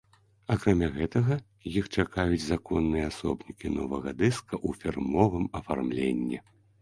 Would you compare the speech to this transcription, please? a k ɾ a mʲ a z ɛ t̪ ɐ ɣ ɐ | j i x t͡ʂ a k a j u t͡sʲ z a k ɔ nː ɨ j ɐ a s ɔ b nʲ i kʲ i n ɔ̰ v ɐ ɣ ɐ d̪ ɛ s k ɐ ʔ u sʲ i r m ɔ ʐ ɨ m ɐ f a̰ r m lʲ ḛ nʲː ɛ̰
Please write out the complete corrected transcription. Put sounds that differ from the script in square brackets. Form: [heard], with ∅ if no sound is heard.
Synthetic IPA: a k ɾ a mʲ a [ɣ] ɛ t̪ ɐ ɣ ɐ | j i x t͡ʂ a k a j u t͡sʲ z a k ɔ nː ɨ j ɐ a s ɔ b nʲ i kʲ i n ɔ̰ v ɐ ɣ ɐ d̪ ɛ s k ɐ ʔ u [fʲ] i r m ɔ [v] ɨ m ɐ f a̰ r m lʲ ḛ nʲː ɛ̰